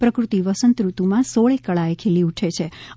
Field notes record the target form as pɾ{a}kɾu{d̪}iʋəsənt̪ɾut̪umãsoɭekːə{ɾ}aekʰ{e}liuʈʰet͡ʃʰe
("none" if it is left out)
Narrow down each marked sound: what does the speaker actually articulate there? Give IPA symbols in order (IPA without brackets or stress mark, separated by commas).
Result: ə, t̪, ɭ, e